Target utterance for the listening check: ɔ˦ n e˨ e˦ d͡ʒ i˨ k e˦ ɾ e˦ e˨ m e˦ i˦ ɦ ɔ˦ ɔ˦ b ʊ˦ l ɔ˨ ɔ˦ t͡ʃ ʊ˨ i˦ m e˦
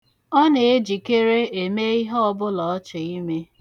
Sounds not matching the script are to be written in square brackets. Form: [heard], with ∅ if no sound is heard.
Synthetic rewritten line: ɔ˦ n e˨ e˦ d͡ʒ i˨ k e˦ ɾ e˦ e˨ m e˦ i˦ ɦ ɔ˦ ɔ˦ b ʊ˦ l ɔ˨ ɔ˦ t͡ʃ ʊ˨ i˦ m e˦